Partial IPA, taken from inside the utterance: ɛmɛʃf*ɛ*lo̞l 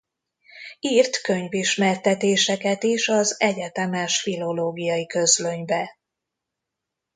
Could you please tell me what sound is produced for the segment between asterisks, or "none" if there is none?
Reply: i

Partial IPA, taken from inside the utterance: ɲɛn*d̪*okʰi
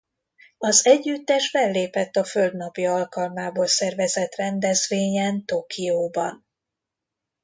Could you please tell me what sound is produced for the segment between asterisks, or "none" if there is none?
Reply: t̪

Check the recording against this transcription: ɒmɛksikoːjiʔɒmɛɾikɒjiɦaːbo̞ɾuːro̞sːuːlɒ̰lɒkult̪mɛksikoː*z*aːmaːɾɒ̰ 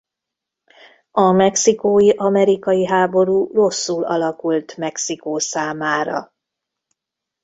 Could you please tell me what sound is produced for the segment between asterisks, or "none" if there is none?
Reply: s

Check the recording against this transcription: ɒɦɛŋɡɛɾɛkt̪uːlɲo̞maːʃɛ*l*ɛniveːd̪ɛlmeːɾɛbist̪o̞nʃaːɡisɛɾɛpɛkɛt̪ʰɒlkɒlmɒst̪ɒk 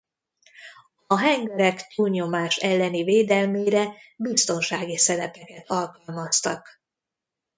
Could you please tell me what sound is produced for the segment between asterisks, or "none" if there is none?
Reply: lː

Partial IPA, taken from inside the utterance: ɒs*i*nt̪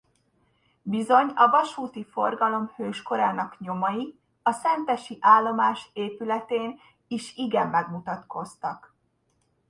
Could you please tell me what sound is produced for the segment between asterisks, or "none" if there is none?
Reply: ɛ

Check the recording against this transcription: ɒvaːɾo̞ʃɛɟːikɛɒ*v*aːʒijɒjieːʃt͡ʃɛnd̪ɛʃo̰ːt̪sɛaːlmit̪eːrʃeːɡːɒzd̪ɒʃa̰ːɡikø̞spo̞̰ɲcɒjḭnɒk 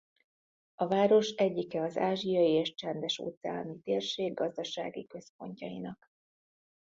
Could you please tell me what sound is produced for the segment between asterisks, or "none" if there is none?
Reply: z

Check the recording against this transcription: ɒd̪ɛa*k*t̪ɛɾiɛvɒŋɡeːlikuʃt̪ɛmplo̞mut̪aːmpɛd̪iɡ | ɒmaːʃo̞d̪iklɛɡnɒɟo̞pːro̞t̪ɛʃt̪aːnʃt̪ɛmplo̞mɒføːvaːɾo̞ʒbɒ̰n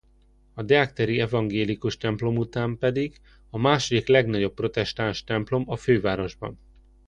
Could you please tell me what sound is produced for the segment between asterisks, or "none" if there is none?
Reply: k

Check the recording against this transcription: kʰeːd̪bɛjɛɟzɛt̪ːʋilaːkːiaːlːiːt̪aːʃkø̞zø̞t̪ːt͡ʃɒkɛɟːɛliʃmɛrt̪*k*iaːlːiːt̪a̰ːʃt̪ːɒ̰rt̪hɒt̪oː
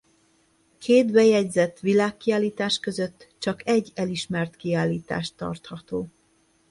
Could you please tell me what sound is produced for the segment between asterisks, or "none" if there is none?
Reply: k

